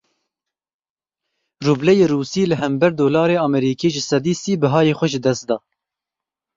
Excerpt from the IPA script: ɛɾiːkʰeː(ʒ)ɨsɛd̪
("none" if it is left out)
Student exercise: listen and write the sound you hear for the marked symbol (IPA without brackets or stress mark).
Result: ʒ